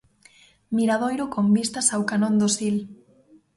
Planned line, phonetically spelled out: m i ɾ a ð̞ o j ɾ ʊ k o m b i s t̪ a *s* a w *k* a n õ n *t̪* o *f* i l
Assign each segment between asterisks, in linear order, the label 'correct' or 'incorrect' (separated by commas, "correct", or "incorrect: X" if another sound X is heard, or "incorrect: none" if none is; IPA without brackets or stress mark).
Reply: correct, correct, incorrect: d̪, incorrect: s